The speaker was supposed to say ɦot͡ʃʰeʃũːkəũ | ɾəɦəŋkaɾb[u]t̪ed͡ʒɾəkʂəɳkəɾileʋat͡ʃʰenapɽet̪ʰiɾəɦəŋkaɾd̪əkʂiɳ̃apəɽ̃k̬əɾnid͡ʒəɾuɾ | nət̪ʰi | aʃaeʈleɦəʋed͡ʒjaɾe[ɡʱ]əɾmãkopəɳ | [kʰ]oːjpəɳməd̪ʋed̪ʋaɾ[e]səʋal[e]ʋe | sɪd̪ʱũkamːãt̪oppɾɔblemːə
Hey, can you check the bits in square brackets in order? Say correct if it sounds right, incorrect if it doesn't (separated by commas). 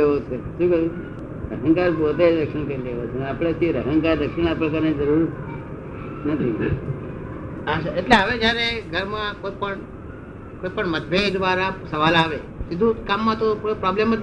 incorrect, correct, incorrect, incorrect, incorrect